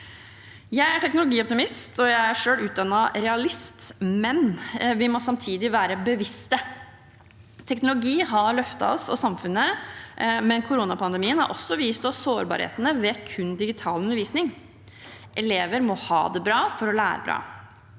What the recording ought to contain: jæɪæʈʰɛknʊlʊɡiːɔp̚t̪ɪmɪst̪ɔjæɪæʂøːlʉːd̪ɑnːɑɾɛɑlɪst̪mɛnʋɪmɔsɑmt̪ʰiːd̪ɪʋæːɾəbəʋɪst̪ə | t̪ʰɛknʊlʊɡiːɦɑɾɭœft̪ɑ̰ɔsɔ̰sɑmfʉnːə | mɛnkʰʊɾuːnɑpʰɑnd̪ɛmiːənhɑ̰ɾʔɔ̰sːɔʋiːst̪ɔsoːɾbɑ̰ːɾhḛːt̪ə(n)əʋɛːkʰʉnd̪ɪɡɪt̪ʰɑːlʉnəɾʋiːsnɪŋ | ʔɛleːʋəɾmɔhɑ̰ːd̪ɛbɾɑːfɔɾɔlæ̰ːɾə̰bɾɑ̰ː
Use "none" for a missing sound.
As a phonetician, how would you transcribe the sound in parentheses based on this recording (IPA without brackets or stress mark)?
n